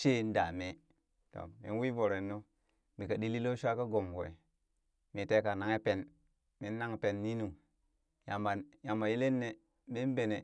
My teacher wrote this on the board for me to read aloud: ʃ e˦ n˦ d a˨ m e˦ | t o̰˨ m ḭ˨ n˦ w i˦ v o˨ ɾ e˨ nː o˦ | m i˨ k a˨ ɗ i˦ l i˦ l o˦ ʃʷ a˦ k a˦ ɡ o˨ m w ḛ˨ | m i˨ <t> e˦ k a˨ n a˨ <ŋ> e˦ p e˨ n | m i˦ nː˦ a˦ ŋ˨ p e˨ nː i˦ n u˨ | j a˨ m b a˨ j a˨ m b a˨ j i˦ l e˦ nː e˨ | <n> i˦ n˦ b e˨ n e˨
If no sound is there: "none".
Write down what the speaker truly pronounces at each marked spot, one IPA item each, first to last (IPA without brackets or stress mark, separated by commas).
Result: t, ŋ, m